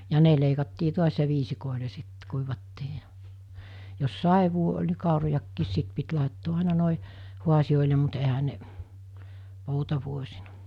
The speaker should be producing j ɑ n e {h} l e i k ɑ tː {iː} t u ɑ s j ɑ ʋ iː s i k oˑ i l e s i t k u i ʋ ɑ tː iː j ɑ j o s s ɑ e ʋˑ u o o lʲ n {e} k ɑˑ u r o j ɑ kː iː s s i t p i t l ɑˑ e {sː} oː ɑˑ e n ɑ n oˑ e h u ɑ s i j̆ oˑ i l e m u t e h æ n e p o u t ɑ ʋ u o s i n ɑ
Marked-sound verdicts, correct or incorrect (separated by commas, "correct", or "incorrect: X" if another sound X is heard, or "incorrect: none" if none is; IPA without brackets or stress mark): incorrect: none, correct, incorrect: i, incorrect: tː